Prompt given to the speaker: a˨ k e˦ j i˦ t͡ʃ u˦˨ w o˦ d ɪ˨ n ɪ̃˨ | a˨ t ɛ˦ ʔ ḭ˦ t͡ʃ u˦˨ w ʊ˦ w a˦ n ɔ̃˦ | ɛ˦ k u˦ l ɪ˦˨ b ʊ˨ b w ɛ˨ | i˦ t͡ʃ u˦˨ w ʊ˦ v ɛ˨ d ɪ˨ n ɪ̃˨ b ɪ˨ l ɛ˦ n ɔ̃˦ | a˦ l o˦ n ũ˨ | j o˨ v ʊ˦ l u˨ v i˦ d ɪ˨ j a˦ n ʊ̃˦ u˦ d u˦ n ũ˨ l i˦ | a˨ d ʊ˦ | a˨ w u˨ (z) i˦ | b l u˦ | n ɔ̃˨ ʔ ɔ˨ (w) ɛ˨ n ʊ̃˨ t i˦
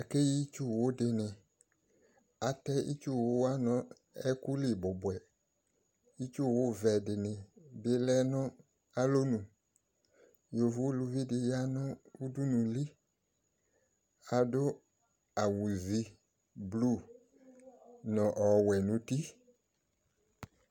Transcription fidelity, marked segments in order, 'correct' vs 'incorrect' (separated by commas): correct, correct